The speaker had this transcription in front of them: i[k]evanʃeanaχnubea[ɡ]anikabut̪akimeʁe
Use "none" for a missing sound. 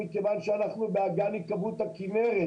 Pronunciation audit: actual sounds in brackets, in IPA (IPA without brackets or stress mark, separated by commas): k, ɡ